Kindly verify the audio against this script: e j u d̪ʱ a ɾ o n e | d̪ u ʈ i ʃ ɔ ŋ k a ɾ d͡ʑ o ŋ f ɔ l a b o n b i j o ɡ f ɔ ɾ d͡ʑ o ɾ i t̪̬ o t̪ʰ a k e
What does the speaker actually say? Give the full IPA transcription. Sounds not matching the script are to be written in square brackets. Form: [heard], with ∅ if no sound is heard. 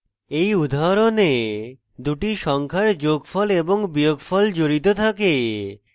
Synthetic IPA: e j u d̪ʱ a ɾ o n e | d̪ u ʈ i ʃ ɔ ŋ [kʰ] a ɾ d͡ʑ o [ɡ] f ɔ l [e] b o [ŋ] b i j o ɡ f ɔ [l] d͡ʑ o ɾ i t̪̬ o t̪ʰ a k e